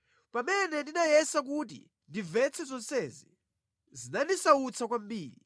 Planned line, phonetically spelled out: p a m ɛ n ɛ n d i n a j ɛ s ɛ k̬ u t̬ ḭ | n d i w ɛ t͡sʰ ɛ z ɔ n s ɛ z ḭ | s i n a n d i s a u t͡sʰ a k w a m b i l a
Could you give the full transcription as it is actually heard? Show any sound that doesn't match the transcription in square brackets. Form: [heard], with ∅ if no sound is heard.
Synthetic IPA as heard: p a m ɛ n ɛ n d i n a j ɛ s [a] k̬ u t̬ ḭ | n d i [v] ɛ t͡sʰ ɛ z ɔ n s ɛ z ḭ | [z] i n a n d i s a u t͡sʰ a k w a m b [iː] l [i]